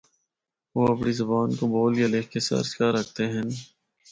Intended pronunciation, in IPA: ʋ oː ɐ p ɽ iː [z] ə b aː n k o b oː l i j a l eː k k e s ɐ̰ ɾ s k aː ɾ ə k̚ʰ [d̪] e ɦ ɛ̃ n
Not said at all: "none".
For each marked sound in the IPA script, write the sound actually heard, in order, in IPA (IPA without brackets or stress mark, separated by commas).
z, t̪